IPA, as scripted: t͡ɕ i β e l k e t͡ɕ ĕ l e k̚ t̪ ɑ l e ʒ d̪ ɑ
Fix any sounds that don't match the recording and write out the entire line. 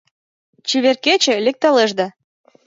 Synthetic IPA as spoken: t͡ɕ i β e r k e t͡ɕ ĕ l e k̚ t̪ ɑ l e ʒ d̪ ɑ